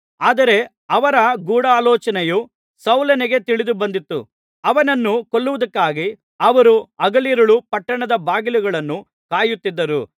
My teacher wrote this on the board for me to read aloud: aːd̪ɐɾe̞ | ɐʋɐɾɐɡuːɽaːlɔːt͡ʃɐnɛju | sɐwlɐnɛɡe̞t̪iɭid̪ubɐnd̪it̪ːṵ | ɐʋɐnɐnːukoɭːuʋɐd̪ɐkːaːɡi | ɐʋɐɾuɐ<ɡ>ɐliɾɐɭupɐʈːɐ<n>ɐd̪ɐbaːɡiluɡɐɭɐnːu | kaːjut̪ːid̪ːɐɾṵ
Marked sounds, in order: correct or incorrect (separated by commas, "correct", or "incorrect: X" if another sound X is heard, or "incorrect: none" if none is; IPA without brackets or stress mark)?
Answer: correct, incorrect: ɳ